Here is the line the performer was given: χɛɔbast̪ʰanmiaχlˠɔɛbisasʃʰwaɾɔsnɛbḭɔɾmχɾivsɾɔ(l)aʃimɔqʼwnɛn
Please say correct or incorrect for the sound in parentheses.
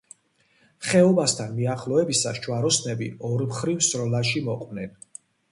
correct